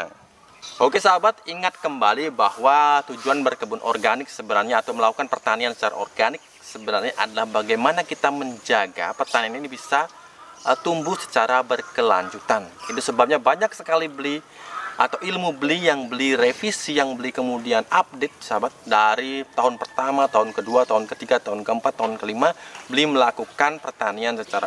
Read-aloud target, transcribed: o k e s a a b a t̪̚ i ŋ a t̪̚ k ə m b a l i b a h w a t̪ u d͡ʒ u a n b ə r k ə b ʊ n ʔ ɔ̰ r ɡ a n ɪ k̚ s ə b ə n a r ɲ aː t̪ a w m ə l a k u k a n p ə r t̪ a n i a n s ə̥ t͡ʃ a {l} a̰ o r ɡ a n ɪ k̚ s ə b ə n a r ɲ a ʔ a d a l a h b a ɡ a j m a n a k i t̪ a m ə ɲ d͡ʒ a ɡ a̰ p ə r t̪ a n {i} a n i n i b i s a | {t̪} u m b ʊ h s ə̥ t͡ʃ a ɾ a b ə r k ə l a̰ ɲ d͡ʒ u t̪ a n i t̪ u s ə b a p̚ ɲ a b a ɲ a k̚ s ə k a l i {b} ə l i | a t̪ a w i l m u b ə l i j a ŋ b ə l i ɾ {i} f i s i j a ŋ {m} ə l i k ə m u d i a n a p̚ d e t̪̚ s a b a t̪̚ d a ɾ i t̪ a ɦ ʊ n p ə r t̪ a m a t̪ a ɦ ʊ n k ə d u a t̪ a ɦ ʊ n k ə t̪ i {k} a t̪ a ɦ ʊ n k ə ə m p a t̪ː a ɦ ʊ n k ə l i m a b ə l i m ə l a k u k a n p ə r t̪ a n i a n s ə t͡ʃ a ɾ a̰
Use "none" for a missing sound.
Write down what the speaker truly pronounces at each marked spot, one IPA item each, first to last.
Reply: ɾ, i, t̪, b, e, b, ɡ

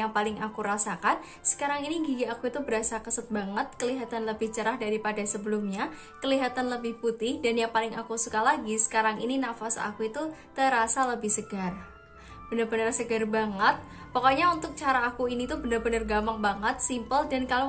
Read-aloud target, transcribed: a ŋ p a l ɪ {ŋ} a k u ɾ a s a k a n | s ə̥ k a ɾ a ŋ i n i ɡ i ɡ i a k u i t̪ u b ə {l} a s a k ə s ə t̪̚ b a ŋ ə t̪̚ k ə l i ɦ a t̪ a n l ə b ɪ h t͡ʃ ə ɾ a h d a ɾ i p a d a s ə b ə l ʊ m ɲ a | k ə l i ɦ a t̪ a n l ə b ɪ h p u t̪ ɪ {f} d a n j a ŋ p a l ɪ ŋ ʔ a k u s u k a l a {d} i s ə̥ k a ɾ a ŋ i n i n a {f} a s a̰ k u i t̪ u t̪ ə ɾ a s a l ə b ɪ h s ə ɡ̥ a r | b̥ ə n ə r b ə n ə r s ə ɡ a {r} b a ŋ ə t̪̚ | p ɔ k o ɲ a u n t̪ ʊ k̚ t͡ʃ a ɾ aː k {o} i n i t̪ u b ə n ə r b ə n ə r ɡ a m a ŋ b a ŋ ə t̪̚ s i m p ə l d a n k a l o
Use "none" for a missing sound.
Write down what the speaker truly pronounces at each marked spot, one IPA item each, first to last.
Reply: ŋ, ɾ, h, ɡ, f, r, u

